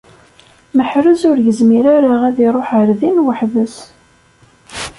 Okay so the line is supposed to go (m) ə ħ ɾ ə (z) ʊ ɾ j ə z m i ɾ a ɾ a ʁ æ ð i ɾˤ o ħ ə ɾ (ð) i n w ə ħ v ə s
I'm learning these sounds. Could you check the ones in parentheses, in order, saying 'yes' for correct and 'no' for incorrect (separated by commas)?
yes, yes, yes